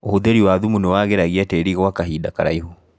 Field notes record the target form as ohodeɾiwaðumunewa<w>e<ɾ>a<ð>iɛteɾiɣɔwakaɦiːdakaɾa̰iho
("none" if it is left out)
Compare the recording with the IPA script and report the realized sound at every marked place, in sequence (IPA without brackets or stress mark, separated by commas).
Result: ɣ, ɾ, ɣ